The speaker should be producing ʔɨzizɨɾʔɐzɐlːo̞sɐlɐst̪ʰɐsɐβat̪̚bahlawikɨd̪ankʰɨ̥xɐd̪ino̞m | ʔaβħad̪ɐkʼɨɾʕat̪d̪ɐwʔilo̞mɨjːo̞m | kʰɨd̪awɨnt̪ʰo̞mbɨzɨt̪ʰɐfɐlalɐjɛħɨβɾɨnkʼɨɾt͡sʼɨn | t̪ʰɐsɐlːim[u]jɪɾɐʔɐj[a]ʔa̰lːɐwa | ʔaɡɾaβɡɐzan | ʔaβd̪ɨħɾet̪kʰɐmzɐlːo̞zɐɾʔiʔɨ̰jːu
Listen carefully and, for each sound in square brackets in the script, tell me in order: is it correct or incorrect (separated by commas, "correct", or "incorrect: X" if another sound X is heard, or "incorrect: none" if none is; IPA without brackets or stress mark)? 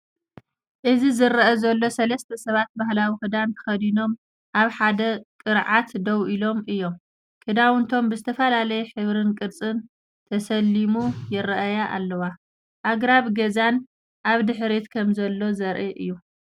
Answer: correct, correct